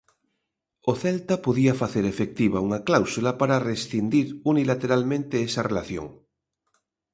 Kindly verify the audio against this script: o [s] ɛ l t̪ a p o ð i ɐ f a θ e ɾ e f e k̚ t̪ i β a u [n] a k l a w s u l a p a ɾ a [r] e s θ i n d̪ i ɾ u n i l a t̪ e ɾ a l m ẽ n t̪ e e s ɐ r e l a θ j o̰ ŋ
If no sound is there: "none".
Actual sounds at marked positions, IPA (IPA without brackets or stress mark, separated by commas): θ, ŋ, r